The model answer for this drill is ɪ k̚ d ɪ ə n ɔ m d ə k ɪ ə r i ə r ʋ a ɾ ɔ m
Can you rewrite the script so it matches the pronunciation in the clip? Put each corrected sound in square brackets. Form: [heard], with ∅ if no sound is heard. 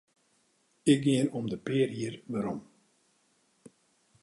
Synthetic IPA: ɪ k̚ [ɡ] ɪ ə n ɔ m d ə [p] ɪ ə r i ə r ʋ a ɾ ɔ m